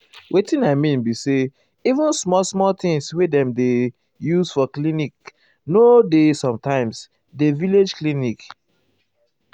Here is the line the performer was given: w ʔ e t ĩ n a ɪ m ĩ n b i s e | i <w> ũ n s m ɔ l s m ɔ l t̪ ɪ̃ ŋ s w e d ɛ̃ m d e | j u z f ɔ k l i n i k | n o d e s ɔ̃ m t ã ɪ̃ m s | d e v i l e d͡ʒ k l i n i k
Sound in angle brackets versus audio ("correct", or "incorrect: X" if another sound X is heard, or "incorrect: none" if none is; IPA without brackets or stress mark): incorrect: v